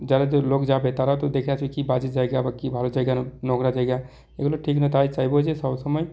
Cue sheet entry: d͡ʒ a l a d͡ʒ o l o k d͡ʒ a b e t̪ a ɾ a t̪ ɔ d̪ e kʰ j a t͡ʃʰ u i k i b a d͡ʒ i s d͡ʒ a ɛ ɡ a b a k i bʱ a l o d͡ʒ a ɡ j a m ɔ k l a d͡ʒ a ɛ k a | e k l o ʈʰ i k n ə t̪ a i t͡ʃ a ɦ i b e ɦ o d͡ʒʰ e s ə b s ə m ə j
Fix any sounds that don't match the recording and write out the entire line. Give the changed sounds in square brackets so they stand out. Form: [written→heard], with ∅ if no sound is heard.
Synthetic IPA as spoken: d͡ʒ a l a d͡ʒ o l o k d͡ʒ a b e t̪ a ɾ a t̪ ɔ d̪ e kʰ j a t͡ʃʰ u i k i b a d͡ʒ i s d͡ʒ a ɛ ɡ a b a k i bʱ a l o d͡ʒ a ɡ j a [m→n] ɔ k [l→ɾ] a d͡ʒ a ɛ [k→ɡ] a | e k l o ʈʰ i k n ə t̪ a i t͡ʃ a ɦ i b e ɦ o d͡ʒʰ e s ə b s ə m ə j